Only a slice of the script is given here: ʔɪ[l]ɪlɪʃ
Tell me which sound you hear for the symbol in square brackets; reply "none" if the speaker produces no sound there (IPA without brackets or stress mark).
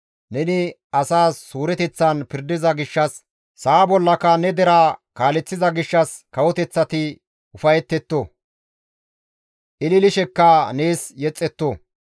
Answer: l